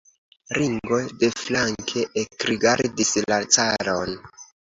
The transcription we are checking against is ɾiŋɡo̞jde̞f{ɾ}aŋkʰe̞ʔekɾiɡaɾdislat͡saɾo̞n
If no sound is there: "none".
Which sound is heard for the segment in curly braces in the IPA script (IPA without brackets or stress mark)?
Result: l